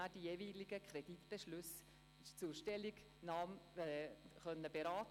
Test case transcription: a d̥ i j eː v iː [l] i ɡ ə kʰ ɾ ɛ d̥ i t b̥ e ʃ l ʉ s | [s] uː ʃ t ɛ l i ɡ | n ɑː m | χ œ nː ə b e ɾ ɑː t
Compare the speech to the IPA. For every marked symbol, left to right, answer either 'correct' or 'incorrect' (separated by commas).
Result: correct, incorrect